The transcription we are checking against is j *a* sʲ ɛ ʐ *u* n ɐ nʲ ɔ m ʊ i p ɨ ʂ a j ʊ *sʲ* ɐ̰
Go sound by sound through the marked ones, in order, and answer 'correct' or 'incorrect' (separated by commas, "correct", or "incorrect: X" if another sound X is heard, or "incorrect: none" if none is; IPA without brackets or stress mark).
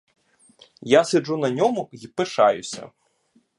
correct, correct, correct